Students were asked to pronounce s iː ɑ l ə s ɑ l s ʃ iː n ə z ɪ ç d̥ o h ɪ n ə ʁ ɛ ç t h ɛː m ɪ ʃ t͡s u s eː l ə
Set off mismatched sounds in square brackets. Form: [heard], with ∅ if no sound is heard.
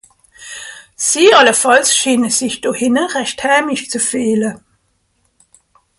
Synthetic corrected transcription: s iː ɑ l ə [f] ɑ l s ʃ iː n ə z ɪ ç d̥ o h ɪ n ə ʁ ɛ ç t h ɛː m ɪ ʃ t͡s u [f] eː l ə